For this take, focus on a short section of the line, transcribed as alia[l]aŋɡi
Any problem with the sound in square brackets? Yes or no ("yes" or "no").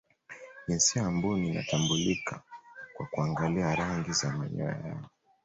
yes